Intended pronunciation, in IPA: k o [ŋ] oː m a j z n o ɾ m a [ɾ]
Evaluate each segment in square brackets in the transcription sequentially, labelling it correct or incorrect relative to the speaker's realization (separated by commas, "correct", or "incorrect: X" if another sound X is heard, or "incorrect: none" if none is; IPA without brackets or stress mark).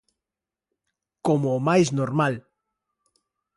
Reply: incorrect: m, incorrect: l